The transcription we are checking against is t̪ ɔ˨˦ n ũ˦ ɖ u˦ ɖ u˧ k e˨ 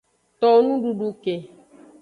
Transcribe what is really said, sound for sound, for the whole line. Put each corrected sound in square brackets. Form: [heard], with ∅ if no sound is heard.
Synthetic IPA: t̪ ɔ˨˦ n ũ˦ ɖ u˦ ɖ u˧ k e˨